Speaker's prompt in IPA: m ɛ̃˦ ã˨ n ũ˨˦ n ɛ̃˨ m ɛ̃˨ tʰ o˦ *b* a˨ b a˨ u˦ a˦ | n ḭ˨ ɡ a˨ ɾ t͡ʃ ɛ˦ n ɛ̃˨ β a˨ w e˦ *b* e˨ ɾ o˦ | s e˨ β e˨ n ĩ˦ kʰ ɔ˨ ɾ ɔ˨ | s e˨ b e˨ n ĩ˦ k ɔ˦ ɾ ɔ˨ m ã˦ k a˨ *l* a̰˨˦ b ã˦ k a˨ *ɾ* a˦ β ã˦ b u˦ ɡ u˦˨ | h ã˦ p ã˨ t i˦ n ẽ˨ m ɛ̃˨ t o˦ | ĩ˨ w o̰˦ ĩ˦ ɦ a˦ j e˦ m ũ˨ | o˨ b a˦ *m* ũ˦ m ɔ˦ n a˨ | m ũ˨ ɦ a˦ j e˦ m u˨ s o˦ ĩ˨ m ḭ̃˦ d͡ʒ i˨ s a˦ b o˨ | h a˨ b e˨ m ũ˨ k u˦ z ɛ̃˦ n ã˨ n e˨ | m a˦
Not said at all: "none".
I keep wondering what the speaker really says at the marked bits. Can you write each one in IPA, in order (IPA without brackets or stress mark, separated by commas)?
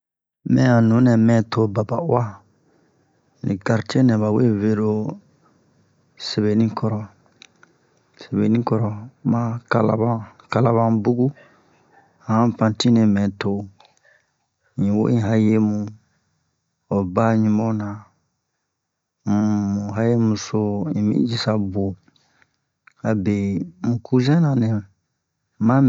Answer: b, v, l, l, ɲ